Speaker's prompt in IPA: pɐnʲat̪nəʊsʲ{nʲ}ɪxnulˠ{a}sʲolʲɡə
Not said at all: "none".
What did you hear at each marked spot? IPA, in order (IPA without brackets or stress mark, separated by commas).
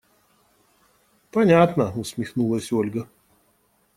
mʲ, ə